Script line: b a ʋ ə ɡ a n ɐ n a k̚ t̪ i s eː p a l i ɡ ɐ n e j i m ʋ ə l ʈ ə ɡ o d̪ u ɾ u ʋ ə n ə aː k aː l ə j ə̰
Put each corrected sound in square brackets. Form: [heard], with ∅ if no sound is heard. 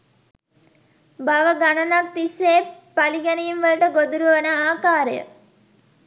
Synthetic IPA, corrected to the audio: b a ʋ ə ɡ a n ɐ n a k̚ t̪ i s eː p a l i ɡ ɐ n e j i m ʋ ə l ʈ ə ɡ o d̪ u ɾ u ʋ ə n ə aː k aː [ɾ] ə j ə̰